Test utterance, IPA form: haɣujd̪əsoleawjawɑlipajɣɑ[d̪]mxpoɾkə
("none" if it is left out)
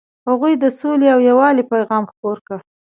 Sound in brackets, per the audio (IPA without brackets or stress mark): none